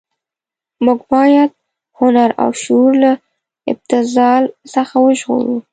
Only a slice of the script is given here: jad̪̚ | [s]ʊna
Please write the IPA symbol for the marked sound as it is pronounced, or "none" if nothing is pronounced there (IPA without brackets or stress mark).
h